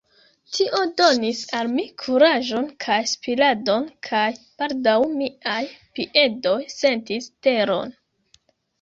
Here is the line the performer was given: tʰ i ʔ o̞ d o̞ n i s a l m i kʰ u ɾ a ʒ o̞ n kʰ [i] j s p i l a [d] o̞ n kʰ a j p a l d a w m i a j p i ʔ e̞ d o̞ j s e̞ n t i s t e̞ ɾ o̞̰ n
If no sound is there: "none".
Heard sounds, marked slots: a, d

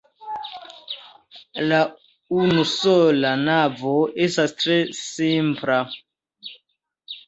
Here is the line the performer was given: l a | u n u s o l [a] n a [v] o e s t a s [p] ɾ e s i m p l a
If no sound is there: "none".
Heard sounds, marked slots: a, v, t

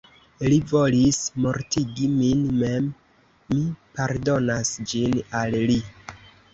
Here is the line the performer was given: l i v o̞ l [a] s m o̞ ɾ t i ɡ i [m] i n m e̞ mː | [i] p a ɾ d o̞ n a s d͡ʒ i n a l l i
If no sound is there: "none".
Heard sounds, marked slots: i, m, i

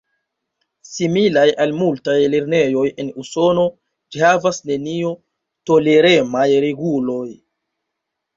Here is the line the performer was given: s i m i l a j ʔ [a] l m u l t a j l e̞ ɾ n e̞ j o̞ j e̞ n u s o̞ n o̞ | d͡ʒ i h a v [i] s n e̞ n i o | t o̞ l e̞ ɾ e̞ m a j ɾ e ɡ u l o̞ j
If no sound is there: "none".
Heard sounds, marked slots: a, a

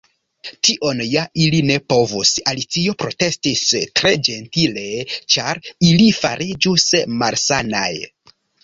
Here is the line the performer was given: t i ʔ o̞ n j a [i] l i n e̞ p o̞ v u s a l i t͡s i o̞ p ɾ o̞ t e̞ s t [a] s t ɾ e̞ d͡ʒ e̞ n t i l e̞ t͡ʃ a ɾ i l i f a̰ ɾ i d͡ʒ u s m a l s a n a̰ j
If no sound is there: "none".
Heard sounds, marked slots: i, i

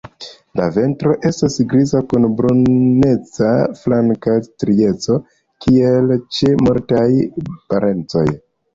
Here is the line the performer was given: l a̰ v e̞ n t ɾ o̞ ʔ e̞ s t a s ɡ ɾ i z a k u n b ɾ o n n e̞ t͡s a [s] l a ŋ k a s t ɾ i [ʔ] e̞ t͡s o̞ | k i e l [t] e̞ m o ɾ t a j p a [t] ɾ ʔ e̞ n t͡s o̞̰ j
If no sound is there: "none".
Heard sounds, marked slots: f, none, t͡ʃ, none

